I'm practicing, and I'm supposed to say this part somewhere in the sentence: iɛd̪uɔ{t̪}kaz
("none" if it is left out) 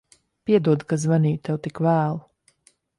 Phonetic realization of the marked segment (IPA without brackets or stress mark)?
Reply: d̪